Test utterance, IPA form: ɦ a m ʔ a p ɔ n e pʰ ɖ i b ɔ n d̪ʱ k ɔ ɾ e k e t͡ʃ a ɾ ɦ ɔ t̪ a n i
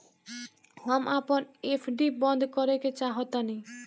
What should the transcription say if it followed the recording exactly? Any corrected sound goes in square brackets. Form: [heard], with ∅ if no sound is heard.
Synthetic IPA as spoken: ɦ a m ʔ a p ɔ n e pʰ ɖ i b ɔ n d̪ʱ k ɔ ɾ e k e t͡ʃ a [∅] ɦ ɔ t̪ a n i